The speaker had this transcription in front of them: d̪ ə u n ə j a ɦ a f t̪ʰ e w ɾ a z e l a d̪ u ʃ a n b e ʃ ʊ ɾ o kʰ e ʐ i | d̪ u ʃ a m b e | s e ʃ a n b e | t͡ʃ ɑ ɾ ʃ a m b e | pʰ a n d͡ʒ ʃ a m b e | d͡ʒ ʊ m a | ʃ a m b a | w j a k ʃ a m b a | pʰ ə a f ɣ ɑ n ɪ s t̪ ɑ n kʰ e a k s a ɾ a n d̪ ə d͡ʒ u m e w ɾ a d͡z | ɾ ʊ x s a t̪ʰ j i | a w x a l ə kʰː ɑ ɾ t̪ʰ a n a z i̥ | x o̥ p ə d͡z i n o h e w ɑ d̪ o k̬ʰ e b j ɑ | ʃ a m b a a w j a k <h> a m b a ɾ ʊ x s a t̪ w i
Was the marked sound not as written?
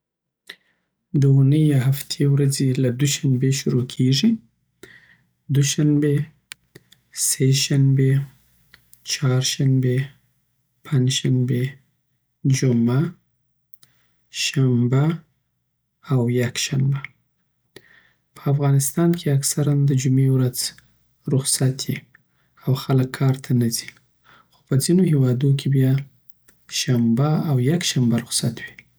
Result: yes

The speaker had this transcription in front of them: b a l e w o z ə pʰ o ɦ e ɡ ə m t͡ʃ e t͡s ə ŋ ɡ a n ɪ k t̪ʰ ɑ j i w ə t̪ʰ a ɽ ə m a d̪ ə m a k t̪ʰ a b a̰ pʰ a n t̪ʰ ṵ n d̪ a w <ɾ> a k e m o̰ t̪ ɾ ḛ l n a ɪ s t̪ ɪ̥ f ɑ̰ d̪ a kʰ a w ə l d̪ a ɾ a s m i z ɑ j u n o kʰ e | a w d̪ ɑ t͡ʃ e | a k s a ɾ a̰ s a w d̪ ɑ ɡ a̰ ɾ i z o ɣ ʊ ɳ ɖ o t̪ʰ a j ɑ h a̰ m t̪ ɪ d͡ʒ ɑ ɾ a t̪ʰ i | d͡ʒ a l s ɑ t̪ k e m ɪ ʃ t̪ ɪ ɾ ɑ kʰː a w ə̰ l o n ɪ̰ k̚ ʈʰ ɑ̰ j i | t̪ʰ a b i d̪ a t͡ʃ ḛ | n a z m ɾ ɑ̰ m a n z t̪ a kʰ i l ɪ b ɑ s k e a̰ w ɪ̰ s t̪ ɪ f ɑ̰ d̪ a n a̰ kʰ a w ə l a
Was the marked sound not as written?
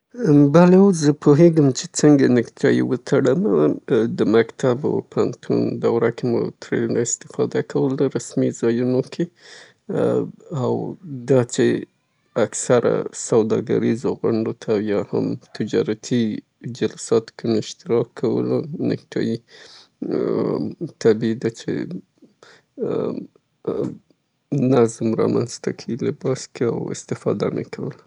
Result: no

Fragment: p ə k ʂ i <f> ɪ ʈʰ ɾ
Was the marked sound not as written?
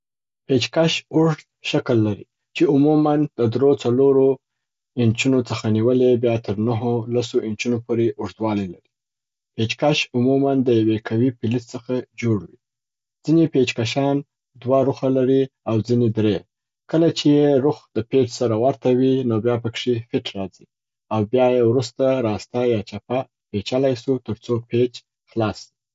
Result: no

